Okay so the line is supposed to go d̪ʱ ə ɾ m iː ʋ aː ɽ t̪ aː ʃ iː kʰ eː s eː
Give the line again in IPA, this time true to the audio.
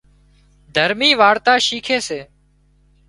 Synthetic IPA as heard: d̪ʱ ə ɾ m iː ʋ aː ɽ t̪ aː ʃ iː kʰ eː s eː